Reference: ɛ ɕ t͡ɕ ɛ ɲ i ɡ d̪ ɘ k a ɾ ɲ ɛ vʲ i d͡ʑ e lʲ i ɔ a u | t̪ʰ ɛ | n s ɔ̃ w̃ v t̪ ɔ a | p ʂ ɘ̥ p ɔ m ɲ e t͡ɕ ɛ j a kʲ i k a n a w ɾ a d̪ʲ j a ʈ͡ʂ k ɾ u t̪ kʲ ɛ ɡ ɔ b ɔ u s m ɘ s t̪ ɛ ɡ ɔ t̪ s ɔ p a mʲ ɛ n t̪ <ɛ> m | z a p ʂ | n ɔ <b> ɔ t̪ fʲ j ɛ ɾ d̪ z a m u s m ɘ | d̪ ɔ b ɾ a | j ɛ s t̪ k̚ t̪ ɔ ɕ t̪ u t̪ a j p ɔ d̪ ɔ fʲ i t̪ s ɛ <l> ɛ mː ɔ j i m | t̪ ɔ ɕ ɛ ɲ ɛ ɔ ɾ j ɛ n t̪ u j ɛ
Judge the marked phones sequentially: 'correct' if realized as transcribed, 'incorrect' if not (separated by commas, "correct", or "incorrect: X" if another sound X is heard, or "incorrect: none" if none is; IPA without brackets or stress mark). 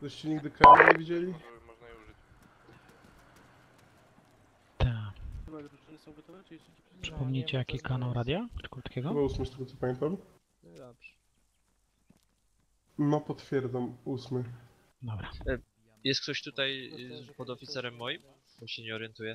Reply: incorrect: a, incorrect: p, incorrect: ɾ